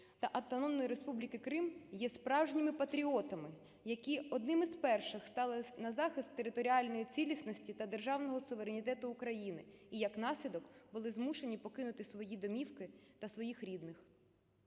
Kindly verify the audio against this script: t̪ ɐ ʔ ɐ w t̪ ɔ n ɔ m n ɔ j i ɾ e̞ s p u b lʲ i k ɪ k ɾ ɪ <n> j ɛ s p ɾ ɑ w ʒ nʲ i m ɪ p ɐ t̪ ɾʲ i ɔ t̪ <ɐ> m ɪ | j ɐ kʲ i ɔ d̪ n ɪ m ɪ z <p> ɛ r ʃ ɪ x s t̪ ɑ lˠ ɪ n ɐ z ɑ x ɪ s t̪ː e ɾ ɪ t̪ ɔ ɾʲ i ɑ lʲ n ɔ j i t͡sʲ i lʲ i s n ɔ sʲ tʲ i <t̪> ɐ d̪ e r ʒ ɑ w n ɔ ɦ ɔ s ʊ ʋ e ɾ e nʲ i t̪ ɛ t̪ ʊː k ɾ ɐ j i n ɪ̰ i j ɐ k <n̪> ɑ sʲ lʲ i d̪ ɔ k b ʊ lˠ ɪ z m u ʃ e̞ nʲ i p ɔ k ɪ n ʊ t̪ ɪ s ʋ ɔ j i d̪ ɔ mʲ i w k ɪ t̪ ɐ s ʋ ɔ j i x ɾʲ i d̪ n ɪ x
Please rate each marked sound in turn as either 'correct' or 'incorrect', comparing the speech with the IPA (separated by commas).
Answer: incorrect, correct, correct, correct, correct